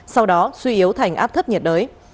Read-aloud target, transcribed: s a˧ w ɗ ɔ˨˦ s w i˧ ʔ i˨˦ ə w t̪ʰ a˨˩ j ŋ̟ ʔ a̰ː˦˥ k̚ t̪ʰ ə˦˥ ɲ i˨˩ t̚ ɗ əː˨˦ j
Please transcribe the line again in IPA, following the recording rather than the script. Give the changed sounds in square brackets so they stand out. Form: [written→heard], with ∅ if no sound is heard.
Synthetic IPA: s a˧ w ɗ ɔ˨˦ s w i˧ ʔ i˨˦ ə w t̪ʰ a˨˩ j ŋ̟ ʔ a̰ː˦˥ [k̚→p̚] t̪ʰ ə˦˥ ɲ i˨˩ t̚ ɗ əː˨˦ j

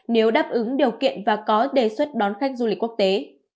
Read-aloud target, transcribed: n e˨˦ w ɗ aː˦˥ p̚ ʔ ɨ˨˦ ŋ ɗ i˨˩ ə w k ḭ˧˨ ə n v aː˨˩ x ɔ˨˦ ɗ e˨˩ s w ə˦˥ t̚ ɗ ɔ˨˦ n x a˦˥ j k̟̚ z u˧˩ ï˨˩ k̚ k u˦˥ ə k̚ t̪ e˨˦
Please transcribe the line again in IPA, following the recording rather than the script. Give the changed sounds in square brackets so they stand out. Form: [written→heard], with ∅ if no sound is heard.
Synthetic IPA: n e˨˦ w ɗ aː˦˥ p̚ ʔ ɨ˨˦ ŋ ɗ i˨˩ ə w k ḭ˧˨ ə n v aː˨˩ [x→k] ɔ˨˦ ɗ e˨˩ s w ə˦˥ t̚ ɗ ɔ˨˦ n x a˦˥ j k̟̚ z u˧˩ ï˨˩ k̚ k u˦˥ ə k̚ t̪ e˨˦

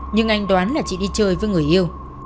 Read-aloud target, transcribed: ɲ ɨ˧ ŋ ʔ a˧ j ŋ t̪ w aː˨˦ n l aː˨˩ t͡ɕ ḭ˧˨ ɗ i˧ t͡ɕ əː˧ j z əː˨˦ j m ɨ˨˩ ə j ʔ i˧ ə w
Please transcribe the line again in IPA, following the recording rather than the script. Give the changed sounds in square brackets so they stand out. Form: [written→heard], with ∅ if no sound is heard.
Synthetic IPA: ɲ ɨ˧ ŋ ʔ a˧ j ŋ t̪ w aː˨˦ n l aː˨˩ t͡ɕ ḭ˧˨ ɗ i˧ t͡ɕ əː˧ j [z→v] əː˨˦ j [m→ŋ] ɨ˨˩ ə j ʔ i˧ ə w

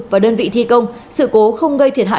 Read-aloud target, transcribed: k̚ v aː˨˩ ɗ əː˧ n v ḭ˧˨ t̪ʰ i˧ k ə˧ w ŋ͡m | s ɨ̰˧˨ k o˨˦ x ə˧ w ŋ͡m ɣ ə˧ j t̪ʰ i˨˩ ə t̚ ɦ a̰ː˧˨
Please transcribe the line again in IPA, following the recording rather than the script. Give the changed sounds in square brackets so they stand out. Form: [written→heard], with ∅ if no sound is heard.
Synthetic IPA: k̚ v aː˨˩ ɗ əː˧ n v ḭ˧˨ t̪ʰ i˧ k ə˧ w ŋ͡m | s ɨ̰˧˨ k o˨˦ x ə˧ w ŋ͡m ɣ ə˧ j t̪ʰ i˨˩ ə t̚ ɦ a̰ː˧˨

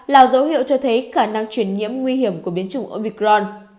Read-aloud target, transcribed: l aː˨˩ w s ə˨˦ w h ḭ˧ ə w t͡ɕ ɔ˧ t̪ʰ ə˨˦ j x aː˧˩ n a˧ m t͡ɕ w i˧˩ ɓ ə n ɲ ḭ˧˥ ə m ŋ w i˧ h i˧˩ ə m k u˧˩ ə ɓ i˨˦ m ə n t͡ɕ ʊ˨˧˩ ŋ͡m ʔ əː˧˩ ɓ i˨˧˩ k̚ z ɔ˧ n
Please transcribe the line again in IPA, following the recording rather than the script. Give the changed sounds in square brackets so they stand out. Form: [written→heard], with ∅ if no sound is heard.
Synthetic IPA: l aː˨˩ w [s→z] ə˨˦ w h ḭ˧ ə w t͡ɕ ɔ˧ t̪ʰ ə˨˦ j x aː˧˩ n a˧ [m→ŋ] t͡ɕ w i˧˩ [ɓ→∅] ə n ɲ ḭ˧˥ ə m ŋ w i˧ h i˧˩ ə m k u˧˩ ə ɓ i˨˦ [m→∅] ə n t͡ɕ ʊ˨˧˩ ŋ͡m ʔ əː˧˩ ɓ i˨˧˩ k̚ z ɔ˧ n

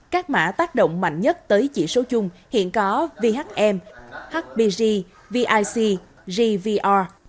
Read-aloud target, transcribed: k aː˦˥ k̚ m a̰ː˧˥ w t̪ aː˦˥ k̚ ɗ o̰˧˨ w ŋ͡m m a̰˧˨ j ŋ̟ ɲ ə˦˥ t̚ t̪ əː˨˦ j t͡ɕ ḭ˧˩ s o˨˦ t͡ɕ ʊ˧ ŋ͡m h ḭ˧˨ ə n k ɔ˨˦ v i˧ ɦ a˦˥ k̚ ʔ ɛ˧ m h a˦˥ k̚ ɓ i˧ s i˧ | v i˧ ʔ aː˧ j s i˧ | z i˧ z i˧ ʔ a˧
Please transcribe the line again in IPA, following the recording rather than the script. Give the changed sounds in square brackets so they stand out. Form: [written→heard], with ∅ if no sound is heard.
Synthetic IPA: k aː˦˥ k̚ m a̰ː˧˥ [w→∅] t̪ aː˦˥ k̚ ɗ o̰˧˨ w ŋ͡m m a̰˧˨ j ŋ̟ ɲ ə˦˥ t̚ t̪ əː˨˦ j t͡ɕ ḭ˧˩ s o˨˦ t͡ɕ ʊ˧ ŋ͡m h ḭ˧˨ ə n k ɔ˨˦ v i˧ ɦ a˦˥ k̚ ʔ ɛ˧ m h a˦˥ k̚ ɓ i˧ [s→z] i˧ | v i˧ ʔ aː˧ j s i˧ | z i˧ [z→v] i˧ ʔ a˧

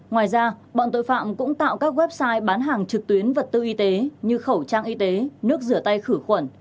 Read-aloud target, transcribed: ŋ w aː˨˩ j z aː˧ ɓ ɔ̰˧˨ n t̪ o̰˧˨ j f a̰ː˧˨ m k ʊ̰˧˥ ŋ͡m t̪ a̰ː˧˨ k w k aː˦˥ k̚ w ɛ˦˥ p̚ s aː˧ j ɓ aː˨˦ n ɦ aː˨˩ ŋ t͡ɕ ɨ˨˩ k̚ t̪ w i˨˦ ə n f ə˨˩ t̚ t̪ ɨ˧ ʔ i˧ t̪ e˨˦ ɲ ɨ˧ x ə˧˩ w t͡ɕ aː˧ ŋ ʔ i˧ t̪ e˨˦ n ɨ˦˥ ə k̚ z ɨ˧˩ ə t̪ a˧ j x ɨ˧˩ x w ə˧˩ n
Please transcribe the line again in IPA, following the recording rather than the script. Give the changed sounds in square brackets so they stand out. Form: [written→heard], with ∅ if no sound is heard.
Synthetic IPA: ŋ w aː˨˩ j z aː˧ ɓ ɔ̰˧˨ n t̪ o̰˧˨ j f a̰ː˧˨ m k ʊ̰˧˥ ŋ͡m t̪ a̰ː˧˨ [k→∅] w k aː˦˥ k̚ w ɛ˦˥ p̚ s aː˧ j ɓ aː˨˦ n ɦ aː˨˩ ŋ t͡ɕ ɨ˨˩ k̚ t̪ w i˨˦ ə n [f→v] ə˨˩ t̚ t̪ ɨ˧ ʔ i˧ t̪ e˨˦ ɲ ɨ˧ x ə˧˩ w t͡ɕ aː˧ ŋ ʔ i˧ t̪ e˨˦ n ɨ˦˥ ə k̚ z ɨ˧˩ ə t̪ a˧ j x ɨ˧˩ x w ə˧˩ n

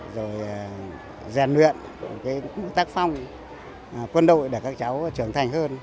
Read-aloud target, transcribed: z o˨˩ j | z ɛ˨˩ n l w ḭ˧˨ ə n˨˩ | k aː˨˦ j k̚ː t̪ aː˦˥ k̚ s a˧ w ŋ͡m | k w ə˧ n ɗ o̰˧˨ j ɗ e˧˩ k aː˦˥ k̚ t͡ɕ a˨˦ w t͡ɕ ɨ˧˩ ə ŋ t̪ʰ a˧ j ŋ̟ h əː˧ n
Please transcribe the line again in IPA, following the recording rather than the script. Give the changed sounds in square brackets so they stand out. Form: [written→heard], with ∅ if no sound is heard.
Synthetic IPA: z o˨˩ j | z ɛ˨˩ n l w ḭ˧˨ ə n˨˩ | k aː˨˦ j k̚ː t̪ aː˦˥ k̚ [s→f] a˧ w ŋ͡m | k w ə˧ n ɗ o̰˧˨ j ɗ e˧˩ k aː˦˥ k̚ t͡ɕ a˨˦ w t͡ɕ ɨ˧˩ ə ŋ t̪ʰ [a˧→a˨˩] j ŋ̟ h əː˧ n

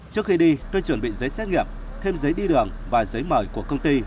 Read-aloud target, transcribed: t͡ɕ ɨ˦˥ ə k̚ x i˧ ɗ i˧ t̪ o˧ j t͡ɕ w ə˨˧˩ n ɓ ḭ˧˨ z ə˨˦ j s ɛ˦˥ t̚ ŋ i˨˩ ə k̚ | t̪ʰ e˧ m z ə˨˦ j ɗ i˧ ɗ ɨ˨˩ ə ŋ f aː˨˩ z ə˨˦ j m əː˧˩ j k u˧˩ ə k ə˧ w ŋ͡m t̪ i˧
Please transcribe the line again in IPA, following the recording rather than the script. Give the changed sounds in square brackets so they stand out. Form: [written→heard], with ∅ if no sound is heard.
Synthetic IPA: t͡ɕ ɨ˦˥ ə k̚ x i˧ ɗ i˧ t̪ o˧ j t͡ɕ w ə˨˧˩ n ɓ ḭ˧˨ z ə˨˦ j s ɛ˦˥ t̚ ŋ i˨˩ ə [k̚→p̚] | t̪ʰ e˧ m z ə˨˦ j ɗ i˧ ɗ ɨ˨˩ ə ŋ [f→v] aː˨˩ z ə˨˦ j m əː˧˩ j k u˧˩ ə k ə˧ w ŋ͡m t̪ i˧

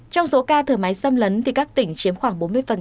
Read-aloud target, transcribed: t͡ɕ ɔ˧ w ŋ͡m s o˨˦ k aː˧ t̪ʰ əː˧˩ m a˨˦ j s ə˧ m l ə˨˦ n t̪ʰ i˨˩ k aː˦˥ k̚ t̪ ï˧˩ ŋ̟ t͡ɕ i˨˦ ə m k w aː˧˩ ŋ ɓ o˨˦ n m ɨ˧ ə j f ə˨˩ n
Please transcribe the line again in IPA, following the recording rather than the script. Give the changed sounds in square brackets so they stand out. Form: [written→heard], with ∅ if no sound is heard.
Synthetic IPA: t͡ɕ ɔ˧ w ŋ͡m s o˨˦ k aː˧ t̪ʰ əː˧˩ m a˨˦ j s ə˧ m l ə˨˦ n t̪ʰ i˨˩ k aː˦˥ k̚ t̪ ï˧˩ ŋ̟ t͡ɕ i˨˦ ə m [k→x] w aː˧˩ ŋ ɓ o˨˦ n m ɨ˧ ə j f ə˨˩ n

